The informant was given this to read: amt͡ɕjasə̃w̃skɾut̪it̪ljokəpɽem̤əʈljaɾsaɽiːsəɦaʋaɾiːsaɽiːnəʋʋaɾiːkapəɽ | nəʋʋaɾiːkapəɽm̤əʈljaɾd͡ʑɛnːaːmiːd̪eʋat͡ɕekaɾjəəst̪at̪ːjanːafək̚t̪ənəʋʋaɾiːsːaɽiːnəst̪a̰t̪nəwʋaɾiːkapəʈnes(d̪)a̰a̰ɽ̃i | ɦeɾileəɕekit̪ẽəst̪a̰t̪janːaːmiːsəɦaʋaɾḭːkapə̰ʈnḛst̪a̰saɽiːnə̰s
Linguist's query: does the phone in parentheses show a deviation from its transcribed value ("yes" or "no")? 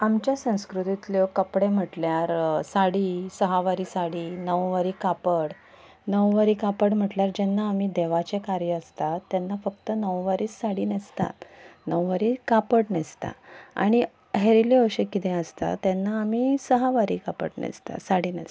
yes